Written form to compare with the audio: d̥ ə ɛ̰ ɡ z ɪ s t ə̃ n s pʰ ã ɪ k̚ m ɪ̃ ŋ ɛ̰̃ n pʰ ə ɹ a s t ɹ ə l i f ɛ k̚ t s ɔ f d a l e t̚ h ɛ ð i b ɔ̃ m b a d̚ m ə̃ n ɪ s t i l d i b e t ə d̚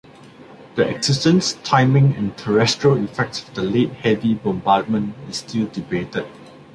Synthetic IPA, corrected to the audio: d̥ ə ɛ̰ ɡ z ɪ s t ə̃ n s tʰ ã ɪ m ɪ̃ ŋ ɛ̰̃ n tʰ ə ɹ ɛ s t ɹ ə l i f ɛ k̚ t s ɔ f d ə l e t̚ h ɛ v i b ɔ̃ m b a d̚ m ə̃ n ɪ s t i l d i b e t ə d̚